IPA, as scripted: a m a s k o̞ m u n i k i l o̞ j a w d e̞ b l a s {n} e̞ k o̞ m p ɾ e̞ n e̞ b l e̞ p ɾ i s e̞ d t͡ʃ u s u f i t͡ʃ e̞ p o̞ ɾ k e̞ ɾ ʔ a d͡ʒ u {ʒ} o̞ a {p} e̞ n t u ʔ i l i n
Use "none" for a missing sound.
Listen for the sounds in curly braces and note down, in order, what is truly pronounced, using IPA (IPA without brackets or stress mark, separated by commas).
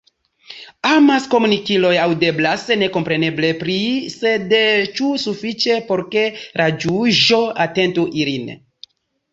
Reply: n, ʒ, t